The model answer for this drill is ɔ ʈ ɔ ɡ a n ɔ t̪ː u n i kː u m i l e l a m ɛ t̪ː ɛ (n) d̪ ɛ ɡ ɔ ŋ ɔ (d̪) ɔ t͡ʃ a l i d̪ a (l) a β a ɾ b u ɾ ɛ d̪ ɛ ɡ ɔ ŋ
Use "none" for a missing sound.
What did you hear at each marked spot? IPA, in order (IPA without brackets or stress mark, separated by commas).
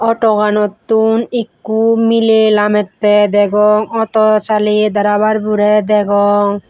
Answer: none, t̪, ɾ